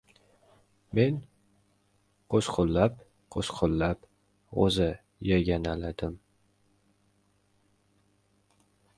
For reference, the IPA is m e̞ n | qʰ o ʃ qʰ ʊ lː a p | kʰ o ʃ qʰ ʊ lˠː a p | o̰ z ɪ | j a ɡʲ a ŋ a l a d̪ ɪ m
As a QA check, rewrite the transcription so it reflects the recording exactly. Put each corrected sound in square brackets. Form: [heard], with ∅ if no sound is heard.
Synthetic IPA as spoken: m e̞ n | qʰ o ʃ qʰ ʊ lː a p | [qʰ] o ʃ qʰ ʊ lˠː a p | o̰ z ɪ | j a ɡʲ a [n] a l a d̪ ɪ m